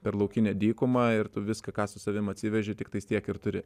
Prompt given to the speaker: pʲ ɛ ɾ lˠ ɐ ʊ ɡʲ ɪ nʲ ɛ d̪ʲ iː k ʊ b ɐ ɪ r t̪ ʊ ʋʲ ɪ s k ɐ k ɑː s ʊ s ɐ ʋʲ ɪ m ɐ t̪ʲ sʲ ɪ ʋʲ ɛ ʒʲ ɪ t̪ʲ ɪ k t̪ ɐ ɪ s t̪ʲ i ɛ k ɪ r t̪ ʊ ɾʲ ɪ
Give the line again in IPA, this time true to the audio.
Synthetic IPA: pʲ ɛ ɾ lˠ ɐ ʊ kʲ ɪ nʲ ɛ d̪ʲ iː k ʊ m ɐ ɪ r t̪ ʊ ʋʲ ɪ s k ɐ k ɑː s ʊ s ɐ ʋʲ ɪ m ɐ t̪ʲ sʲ ɪ ʋʲ ɛ ʒʲ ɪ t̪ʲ ɪ k t̪ ɐ ɪ s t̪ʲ i ɛ k ɪ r t̪ ʊ ɾʲ ɪ